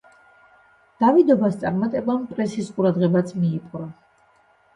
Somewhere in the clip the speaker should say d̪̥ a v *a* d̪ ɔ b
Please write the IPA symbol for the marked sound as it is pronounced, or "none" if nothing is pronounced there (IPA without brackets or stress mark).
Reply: i